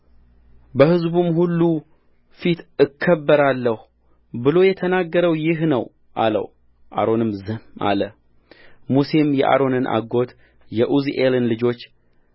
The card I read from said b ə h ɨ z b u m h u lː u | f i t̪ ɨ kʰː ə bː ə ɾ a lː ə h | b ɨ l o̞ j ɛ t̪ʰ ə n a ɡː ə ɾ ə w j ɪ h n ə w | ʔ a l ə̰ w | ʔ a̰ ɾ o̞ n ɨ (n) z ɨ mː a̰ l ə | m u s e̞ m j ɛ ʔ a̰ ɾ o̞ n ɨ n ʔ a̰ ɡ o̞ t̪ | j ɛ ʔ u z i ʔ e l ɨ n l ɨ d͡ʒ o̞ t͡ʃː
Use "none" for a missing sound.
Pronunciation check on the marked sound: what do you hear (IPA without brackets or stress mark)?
m